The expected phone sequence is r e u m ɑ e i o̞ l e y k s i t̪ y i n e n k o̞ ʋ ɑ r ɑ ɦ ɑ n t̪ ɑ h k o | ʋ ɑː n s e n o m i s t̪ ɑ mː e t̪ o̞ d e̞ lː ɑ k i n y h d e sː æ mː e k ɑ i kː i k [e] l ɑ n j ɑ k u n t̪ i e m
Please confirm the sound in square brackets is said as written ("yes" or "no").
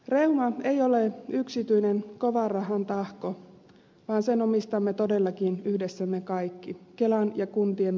yes